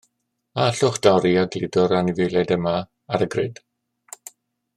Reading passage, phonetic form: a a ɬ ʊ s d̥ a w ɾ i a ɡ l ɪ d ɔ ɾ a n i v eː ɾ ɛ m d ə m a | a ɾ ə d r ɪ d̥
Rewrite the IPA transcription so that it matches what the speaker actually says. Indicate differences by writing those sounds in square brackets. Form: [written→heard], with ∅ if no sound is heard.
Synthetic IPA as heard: a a ɬ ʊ [s→χ] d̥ a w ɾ i a ɡ l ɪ d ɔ ɾ a n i v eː [ɾ→l] ɛ [m→∅] d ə m a | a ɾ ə [d→ɡ] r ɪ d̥